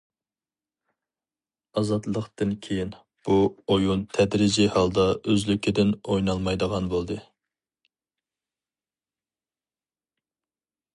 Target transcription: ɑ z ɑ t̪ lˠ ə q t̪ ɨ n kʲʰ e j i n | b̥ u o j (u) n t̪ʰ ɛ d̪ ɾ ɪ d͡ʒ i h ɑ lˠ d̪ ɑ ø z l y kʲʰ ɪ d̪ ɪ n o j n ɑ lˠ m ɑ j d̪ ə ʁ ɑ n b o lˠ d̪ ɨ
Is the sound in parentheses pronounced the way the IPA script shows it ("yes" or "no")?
yes